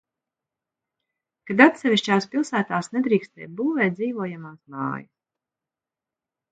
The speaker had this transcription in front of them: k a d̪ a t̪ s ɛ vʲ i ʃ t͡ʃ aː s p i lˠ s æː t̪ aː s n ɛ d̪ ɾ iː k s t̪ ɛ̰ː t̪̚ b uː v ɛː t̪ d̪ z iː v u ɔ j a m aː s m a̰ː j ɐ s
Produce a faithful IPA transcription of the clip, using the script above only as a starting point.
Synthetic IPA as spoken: k a d̪ a t̪ s ɛ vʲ i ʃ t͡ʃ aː s p i lˠ s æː t̪ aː s n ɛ d̪ ɾ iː k s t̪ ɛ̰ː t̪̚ b uː v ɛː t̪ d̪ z iː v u ɔ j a m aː s m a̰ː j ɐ s